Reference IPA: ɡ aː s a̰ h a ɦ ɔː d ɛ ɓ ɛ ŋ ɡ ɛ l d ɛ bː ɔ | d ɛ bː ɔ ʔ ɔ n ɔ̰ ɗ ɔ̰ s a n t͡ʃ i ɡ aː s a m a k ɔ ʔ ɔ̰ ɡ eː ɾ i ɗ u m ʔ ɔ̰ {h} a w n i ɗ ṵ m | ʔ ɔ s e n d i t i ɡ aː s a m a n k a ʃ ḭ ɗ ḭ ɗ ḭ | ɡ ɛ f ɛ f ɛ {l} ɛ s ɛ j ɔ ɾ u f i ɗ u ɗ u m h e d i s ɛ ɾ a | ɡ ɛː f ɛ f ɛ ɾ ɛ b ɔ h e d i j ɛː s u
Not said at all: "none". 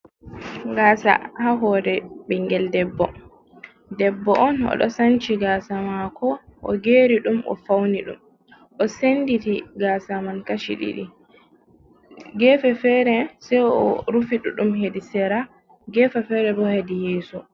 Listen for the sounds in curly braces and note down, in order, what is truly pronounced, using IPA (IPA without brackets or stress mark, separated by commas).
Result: f, ɾ